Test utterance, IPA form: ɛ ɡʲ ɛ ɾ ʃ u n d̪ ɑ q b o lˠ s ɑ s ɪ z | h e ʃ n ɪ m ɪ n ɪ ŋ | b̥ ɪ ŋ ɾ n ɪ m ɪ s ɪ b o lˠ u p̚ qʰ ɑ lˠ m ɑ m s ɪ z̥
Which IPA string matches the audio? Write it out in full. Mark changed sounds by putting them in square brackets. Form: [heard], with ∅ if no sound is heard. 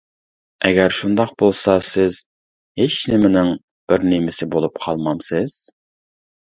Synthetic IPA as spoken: ɛ ɡʲ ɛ ɾ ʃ u n d̪ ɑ q b o lˠ s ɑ s ɪ z | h e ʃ n ɪ m ɪ n ɪ ŋ | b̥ ɪ [∅] ɾ n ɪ m ɪ s ɪ b o lˠ u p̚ qʰ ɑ lˠ m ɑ m s ɪ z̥